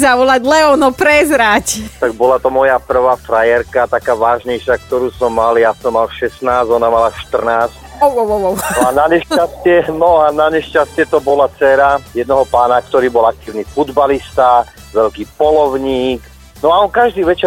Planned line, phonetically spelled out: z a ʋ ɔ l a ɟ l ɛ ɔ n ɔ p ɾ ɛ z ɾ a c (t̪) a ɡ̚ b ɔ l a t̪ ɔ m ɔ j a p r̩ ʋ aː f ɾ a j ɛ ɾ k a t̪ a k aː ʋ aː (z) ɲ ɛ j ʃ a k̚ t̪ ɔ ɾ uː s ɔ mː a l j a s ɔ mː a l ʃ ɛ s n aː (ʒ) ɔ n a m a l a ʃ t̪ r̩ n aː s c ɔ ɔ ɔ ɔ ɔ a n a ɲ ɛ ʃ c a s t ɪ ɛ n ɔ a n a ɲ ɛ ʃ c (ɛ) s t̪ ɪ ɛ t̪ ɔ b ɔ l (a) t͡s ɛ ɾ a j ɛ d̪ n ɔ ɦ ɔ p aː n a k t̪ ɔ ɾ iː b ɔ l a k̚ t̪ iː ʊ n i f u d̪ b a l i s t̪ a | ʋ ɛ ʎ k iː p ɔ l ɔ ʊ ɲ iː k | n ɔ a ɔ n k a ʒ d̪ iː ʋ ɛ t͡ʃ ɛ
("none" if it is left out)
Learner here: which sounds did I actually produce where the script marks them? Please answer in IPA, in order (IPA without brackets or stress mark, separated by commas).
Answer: t̪, ʒ, z, a, a